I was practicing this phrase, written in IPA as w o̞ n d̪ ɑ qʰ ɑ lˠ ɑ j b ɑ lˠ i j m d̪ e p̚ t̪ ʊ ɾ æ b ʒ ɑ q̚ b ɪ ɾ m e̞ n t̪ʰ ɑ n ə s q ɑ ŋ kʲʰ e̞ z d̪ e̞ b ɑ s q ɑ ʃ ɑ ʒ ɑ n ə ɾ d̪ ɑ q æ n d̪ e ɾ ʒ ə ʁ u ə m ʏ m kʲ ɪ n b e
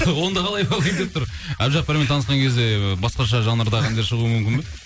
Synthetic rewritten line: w o̞ n d̪ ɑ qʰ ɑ lˠ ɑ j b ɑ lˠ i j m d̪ e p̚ t̪ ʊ ɾ æ b ʒ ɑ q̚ b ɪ ɾ m e̞ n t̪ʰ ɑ n ə s q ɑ ŋ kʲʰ e̞ z d̪ e̞ b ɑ s q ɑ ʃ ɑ ʒ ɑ n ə ɾ d̪ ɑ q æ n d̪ e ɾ ʃ ə ʁ u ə m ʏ m kʲ ɪ n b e